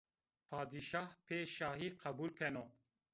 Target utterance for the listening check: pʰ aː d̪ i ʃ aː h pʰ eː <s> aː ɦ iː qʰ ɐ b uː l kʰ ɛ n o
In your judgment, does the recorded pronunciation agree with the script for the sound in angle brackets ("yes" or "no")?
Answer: no